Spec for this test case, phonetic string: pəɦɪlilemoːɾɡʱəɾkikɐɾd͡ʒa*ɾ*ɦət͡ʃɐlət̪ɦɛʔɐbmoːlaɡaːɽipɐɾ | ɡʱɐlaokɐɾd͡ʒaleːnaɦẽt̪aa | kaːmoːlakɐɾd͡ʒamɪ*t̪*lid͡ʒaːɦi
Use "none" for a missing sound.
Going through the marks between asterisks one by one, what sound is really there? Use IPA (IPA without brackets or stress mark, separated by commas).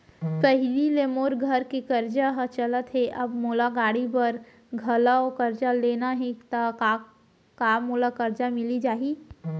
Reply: none, none